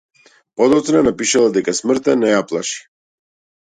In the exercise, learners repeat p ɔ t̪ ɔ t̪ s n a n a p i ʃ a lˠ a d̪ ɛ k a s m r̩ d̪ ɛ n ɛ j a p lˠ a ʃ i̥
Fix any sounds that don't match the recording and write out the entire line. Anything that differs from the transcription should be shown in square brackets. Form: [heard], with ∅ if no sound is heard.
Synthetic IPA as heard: p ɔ [d̪] ɔ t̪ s n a n a p i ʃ a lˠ a d̪ ɛ k a s m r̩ [t̪] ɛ n ɛ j a p lˠ a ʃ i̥

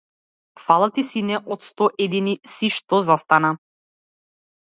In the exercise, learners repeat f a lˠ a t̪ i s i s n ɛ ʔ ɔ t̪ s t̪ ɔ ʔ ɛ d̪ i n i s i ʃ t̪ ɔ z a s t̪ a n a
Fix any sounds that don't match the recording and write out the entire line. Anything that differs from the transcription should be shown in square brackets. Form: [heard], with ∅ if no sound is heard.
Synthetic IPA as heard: f a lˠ a t̪ i s i [∅] n ɛ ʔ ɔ t̪ s t̪ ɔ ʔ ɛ d̪ i n i s i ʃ t̪ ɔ z a s t̪ a n a

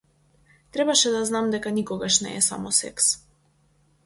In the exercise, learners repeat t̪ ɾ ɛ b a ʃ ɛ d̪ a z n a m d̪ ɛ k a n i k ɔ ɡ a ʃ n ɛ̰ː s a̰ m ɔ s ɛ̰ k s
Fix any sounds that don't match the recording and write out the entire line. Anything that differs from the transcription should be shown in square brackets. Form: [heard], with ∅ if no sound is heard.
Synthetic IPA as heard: t̪ ɾ ɛ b a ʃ ɛ d̪ a z n a m d̪ ɛ k a n i k ɔ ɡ a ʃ n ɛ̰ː s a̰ m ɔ s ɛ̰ k s

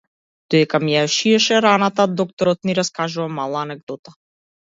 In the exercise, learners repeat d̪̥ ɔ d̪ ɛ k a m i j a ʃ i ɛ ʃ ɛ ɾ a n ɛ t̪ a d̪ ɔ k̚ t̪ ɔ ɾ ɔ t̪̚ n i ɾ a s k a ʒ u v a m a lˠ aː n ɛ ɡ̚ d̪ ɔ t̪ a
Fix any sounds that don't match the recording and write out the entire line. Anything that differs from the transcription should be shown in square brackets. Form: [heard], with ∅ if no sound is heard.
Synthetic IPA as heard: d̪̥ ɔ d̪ ɛ k a m i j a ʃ i ɛ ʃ ɛ ɾ a n [a] t̪ a d̪ ɔ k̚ t̪ ɔ ɾ ɔ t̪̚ n i ɾ a s k a ʒ u v a m a lˠ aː n ɛ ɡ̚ d̪ ɔ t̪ a

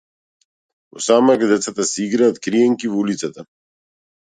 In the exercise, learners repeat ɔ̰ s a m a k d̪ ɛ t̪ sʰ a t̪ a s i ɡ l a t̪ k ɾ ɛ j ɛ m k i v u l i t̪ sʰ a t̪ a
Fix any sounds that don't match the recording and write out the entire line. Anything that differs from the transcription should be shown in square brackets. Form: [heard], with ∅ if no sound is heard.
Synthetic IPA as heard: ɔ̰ s a m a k d̪ ɛ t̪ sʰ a t̪ a s i ɡ [ɾ] a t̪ k ɾ [i] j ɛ [ŋ] k i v u l i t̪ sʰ a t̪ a

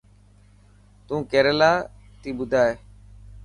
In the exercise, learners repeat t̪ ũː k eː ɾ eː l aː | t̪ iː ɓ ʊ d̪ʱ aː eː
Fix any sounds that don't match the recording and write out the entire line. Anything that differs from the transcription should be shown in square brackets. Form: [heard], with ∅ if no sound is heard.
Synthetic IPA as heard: t̪ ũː k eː ɾ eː l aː | t̪ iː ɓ ʊ d̪ʱ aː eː

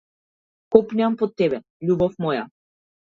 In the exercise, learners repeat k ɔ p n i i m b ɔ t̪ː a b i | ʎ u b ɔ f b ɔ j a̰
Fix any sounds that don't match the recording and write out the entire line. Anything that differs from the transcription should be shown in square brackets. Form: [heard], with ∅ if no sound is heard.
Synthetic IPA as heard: k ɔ p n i [a] m [p] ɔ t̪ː [ɛ] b [ɛ] | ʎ u b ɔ f [m] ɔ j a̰

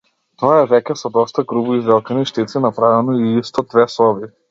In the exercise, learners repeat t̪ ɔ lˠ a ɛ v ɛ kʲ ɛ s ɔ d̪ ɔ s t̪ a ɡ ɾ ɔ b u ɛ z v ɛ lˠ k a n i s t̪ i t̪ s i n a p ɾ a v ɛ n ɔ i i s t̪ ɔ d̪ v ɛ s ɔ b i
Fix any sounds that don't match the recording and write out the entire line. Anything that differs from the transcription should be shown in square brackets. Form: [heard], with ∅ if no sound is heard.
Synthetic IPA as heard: t̪ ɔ [∅] a ɛ v ɛ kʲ ɛ s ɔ d̪ ɔ s t̪ a ɡ ɾ [u] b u [i] z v ɛ lˠ k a n i [ʃ] t̪ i t̪ s i n a p ɾ a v ɛ n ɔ i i s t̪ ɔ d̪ v ɛ s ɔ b i

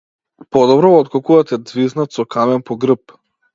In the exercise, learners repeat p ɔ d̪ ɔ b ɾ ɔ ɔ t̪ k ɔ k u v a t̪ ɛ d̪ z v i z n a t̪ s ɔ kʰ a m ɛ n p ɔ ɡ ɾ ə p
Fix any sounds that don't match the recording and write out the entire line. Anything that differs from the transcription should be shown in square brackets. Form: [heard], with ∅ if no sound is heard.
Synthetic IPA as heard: p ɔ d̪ ɔ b ɾ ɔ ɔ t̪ k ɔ k u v a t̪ ɛ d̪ z v i z n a t̪ s ɔ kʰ a m ɛ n p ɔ ɡ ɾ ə p

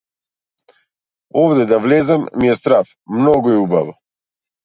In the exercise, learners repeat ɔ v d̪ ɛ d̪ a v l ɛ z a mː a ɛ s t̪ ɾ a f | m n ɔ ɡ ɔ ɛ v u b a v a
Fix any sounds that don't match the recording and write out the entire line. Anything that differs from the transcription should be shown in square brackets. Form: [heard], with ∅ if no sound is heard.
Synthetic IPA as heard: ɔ v d̪ ɛ d̪ a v l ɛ z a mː [i] ɛ s t̪ ɾ a f | m n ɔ ɡ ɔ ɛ [∅] u b a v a

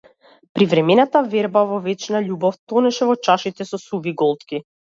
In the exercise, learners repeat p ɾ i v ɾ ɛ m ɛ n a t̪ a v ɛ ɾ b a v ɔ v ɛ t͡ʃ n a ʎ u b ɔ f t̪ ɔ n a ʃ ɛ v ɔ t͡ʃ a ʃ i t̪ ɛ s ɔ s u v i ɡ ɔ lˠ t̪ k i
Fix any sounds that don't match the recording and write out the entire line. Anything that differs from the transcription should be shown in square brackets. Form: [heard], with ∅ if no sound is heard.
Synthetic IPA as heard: p ɾ i v ɾ ɛ m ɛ n a t̪ a v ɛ ɾ b a v ɔ v ɛ t͡ʃ n a ʎ u b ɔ f t̪ ɔ n [ɛ] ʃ ɛ v ɔ t͡ʃ a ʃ i t̪ ɛ s ɔ s u v i ɡ ɔ lˠ t̪ k i

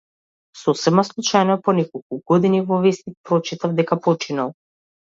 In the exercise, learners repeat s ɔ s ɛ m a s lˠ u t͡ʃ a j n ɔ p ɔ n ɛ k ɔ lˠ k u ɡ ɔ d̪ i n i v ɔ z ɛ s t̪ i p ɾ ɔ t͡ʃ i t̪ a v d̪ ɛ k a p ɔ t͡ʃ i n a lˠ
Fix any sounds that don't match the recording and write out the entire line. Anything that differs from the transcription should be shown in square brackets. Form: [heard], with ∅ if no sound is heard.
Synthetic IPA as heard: s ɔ s ɛ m a s lˠ u t͡ʃ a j n ɔ p ɔ n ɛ k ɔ lˠ k u ɡ ɔ d̪ i n i v ɔ [v] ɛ s t̪ i p ɾ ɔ t͡ʃ i t̪ a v d̪ ɛ k a p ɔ t͡ʃ i n a lˠ

